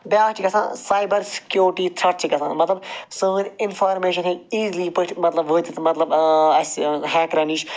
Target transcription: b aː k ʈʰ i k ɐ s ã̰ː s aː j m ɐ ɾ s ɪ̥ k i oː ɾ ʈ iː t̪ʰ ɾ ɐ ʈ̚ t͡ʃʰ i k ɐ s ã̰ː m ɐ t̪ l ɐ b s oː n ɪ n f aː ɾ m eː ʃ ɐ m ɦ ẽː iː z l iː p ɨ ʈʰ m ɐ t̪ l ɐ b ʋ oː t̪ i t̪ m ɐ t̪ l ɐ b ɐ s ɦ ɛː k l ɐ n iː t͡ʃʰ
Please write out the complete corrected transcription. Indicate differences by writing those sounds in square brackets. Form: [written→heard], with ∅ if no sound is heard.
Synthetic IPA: b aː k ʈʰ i k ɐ s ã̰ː s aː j [m→b] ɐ ɾ s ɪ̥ k [i→j] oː ɾ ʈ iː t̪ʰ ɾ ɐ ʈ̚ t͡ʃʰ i k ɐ s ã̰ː m ɐ t̪ l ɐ b s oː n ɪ n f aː ɾ m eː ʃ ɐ [m→n] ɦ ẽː iː z l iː p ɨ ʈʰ m ɐ t̪ l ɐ b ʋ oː t̪ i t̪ m ɐ t̪ l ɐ b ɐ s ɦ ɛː k [l→ɾ] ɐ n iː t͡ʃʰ